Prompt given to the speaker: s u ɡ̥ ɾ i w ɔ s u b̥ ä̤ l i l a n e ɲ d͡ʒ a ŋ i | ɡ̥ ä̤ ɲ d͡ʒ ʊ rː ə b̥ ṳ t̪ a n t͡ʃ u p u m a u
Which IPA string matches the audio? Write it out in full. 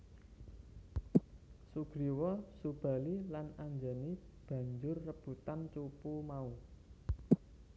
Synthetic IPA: s u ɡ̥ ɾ i w ɔ s u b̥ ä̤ l i l a n a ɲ d͡ʒ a n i | b̥ ä̤ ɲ d͡ʒ ʊ rː ə b̥ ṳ t̪ a n t͡ʃ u p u m a u